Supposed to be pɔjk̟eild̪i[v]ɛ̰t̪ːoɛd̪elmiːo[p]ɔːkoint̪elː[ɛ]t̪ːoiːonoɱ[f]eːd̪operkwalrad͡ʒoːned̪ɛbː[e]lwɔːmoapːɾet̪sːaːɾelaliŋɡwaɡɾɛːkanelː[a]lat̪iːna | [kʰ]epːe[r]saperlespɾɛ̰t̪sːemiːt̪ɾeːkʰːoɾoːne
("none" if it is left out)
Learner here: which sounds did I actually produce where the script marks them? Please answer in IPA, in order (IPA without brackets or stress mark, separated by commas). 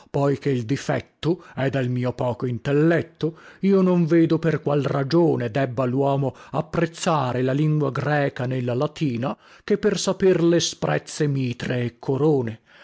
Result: f, p, ɛ, v, a, a, k, r